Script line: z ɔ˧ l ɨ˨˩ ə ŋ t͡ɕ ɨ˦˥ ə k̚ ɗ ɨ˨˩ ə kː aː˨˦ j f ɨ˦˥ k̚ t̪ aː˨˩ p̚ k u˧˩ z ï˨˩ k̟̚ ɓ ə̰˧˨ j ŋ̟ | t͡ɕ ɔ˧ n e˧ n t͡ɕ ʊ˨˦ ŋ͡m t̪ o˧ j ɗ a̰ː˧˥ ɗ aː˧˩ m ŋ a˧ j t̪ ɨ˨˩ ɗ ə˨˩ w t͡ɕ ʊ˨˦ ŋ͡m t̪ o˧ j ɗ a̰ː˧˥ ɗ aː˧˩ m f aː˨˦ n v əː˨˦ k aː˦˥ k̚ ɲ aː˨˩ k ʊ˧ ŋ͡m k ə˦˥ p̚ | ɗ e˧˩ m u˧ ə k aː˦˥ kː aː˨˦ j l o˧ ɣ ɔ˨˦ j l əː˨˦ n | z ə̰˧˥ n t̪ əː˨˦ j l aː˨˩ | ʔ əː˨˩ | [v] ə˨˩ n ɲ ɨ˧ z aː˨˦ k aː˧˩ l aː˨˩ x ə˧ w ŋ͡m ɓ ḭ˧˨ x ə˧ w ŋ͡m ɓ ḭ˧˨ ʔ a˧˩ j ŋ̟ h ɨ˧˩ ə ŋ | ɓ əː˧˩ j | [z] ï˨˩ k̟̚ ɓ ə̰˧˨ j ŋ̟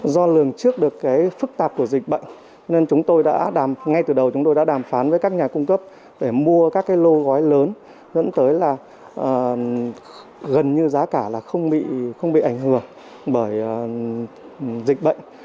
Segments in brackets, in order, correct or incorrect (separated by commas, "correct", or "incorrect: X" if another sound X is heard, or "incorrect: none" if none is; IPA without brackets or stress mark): incorrect: ɣ, correct